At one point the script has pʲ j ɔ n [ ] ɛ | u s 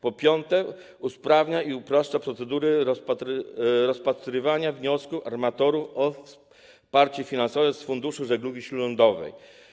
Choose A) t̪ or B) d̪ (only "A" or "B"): A